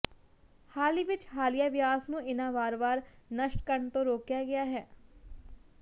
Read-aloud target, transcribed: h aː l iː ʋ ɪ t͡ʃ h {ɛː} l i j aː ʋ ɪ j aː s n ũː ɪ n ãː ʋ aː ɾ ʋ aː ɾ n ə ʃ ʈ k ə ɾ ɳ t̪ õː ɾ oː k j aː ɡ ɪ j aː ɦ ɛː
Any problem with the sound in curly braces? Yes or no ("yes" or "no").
yes